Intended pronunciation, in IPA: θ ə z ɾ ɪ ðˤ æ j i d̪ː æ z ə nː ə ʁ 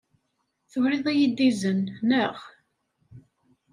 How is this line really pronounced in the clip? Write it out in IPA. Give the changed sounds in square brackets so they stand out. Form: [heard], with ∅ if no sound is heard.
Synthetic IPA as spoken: θ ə [v] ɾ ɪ ðˤ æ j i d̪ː [i] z ə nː ə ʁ